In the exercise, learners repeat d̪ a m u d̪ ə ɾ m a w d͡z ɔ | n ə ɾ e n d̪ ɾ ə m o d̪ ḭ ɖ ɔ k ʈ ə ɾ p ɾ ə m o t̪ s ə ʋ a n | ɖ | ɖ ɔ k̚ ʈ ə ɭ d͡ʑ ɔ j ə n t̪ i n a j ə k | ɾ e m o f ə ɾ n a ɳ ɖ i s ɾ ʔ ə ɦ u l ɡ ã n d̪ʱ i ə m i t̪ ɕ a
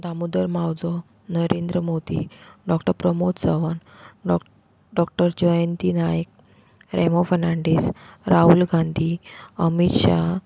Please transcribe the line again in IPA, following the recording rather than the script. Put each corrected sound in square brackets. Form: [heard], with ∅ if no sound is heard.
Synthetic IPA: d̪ a m u d̪ ə ɾ m a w d͡z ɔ | n ə ɾ e n d̪ ɾ ə m o d̪ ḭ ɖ ɔ k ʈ ə ɾ p ɾ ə m o t̪ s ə ʋ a n | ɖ | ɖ ɔ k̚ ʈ ə [ɾ] d͡ʑ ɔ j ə n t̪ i n a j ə k | ɾ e m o f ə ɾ n a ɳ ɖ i s ɾ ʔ [a] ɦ u l ɡ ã n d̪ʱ i ə m i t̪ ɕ a